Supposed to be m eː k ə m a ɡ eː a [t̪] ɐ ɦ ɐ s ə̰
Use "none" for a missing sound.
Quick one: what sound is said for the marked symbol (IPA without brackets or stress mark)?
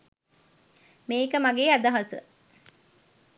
d̪